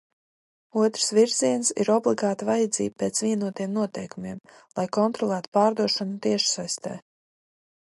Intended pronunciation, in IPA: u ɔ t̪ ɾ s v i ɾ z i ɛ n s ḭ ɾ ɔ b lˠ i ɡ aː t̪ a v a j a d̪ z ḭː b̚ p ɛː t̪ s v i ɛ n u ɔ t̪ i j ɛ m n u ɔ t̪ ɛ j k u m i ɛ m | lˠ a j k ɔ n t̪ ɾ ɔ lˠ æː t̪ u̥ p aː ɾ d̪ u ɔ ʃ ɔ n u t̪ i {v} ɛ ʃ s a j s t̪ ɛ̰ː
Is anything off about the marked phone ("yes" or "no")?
yes